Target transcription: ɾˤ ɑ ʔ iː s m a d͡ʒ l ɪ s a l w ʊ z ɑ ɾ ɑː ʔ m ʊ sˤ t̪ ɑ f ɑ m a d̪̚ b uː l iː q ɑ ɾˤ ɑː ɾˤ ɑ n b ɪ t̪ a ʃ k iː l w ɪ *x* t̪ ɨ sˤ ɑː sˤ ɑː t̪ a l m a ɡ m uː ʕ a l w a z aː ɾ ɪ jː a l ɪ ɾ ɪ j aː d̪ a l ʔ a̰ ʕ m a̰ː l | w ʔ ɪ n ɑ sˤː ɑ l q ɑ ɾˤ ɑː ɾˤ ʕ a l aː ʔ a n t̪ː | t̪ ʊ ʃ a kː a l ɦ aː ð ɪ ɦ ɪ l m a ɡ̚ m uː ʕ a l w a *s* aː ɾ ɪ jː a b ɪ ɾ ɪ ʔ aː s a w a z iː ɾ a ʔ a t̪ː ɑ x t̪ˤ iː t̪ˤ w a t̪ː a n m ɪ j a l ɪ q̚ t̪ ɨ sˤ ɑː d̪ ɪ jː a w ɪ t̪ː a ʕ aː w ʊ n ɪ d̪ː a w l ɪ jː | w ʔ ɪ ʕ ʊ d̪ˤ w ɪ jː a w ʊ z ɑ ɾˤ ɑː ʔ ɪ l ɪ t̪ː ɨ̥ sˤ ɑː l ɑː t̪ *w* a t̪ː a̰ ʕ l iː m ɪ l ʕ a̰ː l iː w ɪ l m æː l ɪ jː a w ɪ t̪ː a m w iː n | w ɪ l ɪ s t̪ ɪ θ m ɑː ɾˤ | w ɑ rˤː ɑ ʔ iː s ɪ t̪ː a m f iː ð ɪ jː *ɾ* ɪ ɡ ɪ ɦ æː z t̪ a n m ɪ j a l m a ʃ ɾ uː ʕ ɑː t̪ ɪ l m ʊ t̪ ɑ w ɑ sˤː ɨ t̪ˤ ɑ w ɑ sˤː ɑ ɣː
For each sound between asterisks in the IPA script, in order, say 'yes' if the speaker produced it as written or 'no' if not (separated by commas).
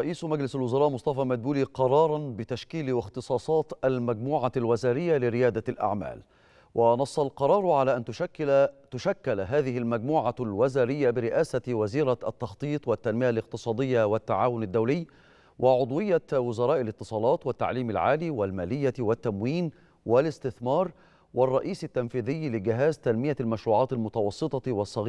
yes, no, yes, no